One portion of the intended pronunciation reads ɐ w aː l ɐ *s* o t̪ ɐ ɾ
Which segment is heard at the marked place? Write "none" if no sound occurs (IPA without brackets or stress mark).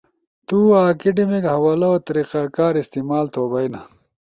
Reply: none